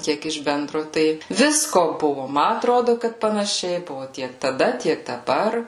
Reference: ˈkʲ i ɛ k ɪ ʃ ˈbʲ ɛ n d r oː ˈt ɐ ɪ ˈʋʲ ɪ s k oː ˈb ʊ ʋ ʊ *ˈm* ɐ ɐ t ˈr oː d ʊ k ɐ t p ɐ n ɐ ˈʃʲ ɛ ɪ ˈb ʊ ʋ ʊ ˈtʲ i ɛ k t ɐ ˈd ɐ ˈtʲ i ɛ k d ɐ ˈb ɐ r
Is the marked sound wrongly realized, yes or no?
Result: no